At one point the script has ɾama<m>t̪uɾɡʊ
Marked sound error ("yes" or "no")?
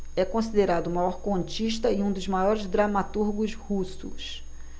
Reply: yes